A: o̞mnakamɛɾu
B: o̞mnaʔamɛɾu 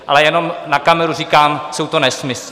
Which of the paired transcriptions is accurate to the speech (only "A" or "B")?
A